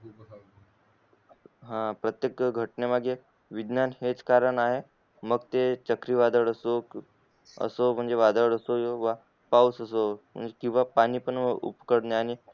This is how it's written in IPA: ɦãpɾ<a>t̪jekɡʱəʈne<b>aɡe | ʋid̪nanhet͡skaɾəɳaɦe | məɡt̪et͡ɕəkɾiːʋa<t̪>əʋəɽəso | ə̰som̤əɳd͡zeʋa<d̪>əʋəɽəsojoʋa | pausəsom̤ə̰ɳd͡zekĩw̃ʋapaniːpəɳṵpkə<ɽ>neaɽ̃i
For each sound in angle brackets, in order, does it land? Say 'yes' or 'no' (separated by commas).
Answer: no, no, no, yes, yes